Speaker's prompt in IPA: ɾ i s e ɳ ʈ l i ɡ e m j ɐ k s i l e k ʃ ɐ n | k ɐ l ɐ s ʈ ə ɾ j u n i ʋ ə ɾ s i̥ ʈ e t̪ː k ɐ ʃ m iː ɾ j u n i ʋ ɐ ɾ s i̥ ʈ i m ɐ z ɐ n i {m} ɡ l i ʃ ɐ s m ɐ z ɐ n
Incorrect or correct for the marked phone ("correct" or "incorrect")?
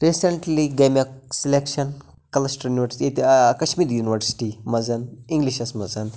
incorrect